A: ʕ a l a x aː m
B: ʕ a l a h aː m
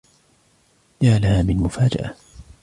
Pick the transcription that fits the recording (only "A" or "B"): B